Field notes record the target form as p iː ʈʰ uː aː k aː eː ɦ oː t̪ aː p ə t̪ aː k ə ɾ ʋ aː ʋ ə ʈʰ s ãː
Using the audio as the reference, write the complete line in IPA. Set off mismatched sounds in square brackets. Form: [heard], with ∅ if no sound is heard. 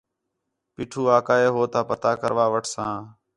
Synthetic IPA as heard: p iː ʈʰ uː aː k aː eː ɦ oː t̪ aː p ə t̪ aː k ə ɾ ʋ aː ʋ ə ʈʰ s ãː